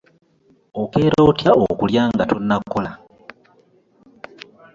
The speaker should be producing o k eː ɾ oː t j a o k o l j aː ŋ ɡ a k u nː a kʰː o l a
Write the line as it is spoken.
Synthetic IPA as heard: o k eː ɾ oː t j a o k u l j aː ŋ ɡ a t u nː a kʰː o l a